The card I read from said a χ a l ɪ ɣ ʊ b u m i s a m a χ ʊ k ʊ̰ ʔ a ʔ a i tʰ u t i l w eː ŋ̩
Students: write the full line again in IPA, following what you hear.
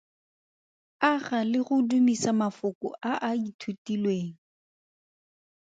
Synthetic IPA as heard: a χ a l ɪ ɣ ʊ d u m i s a m a f ʊ k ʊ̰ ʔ a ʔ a i tʰ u t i l w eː ŋ̩

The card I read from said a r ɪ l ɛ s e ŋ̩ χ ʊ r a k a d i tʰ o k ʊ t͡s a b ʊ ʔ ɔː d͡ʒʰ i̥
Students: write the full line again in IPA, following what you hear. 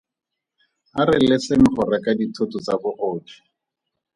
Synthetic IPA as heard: a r ɪ l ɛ s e ŋ̩ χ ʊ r a k a d i tʰ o t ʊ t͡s a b ʊ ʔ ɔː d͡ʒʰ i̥

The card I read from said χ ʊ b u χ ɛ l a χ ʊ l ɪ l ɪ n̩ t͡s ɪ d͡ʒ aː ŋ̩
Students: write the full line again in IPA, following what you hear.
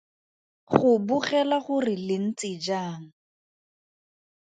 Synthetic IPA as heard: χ ʊ b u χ ɛ l a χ ʊ r ɪ l ɪ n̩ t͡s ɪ d͡ʒ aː ŋ̩

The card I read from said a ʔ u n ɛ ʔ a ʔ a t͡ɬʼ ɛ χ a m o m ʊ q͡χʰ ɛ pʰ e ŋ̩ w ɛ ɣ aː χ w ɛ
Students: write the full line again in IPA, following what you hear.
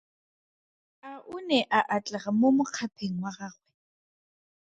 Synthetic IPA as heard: a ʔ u n ɛ ʔ a ʔ a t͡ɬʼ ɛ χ a m o m ʊ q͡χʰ a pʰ e ŋ̩ w a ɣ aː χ w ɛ

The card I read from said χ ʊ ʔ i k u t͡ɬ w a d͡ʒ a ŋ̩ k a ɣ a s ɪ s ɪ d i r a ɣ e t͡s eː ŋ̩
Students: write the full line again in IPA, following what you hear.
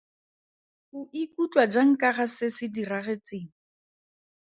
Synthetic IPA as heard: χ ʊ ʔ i k u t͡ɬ w a d͡ʒ a ŋ̩ k a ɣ a s ɪ s ɪ d i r a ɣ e t͡s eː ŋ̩

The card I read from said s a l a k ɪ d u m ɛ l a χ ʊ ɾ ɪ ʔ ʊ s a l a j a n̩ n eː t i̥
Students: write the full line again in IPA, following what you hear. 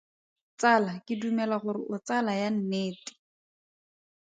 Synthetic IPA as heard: t͡s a l a k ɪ d u m ɛ l a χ ʊ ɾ ɪ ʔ ʊ t͡s a l a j a n̩ n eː t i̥

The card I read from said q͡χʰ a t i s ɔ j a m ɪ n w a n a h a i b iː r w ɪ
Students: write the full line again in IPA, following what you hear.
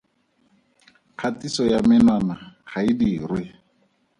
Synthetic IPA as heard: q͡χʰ a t i s ɔ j a m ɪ n w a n a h a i d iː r w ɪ

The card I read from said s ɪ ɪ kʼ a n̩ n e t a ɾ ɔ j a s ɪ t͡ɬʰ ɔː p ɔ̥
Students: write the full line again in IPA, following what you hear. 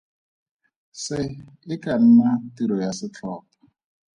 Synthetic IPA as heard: s ɪ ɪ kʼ a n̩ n a t i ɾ ɔ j a s ɪ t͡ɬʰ ɔː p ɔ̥

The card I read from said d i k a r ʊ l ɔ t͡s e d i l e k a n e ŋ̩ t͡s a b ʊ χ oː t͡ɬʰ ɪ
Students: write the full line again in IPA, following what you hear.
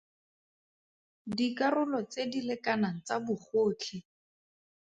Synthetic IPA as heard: d i k a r ʊ l ɔ t͡s e d i l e k a n a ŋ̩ t͡s a b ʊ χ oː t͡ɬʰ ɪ

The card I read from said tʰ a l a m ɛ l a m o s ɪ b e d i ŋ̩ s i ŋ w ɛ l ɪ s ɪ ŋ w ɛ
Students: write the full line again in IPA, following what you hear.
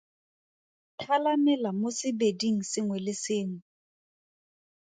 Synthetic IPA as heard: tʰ a l a m ɛ l a m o s ɪ b e d i ŋ̩ s ɪ ŋ w ɛ l ɪ s ɪː ŋ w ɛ

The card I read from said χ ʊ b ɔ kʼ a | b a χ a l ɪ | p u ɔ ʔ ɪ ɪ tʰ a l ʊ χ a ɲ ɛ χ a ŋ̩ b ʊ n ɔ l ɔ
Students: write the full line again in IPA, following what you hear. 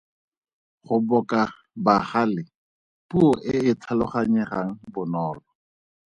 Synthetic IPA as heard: χ ʊ b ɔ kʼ a | b a χ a l ɪ | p u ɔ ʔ ɪ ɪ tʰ a l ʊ χ a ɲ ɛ χ a ŋ̩ b ʊ n ɔː l ɔ

